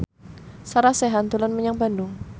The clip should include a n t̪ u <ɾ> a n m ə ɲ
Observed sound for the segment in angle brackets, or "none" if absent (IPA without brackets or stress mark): l